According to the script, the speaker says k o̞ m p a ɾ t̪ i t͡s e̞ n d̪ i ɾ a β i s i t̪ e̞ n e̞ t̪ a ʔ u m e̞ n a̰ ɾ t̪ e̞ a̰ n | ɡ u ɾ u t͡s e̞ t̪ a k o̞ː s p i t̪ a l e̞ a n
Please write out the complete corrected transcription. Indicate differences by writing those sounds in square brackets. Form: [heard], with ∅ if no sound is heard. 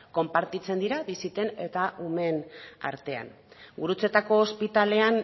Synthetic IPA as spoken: k o̞ m p a ɾ t̪ i t͡s e̞ n d̪ i ɾ a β i s i t̪ e̞ n e̞ t̪ a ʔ u m e̞ n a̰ ɾ t̪ e̞ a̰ n | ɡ u ɾ u t͡s e̞ t̪ a k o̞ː s p i t̪ a l e̞ a n